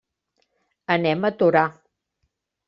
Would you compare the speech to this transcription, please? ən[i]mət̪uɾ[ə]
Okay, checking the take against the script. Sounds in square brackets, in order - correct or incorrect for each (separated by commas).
incorrect, incorrect